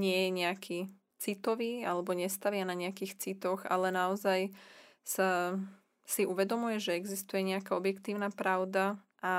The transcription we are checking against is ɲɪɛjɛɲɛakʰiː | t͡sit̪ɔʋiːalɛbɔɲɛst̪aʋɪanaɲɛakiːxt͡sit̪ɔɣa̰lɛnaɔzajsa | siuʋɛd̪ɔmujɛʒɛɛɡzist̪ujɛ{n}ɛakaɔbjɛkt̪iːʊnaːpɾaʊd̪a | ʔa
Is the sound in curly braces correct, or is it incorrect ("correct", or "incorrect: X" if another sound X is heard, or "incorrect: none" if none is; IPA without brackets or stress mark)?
incorrect: ɲ